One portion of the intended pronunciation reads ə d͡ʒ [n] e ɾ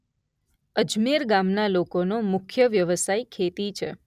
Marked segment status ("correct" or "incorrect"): incorrect